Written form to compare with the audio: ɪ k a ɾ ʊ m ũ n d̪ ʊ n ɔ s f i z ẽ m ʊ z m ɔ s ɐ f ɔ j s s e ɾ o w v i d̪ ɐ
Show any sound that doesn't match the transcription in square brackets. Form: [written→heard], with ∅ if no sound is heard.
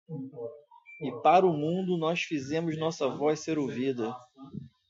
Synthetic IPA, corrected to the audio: ɪ [k→p] a ɾ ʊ m ũ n d̪ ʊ n ɔ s f i z ẽ m ʊ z [m→n] ɔ s ɐ [f→v] ɔ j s s e ɾ o w v i d̪ ɐ